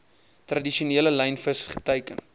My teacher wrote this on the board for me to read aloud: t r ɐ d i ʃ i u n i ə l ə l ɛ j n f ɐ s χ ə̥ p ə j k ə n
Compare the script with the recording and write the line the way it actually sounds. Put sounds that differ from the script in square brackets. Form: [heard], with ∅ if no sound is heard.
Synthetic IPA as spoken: t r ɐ d i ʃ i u n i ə l ə l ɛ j n f [ə] s χ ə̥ [t] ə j k ə n